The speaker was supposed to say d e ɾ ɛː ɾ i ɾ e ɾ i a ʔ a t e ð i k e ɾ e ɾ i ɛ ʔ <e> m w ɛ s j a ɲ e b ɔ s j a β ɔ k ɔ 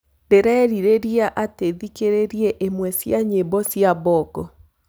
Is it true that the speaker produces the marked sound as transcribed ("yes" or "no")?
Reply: yes